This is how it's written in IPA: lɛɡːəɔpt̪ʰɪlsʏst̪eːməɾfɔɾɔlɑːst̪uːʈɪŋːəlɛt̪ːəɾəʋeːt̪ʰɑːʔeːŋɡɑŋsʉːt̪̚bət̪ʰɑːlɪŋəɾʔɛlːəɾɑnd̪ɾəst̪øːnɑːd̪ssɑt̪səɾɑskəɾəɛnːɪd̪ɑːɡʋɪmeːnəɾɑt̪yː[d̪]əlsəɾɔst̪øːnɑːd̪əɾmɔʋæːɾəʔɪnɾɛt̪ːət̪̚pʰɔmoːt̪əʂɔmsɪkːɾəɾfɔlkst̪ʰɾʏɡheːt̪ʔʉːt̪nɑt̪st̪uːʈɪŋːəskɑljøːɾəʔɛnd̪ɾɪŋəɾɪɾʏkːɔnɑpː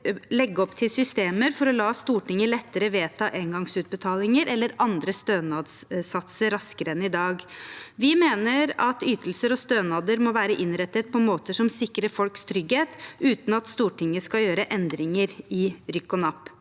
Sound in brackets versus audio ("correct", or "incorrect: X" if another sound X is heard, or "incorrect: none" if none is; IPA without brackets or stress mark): incorrect: t̪